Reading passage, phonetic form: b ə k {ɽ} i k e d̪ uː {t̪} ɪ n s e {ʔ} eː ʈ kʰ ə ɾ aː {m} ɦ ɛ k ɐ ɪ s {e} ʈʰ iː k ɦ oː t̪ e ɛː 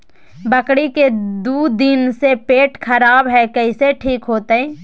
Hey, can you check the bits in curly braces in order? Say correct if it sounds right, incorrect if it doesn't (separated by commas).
correct, incorrect, incorrect, incorrect, correct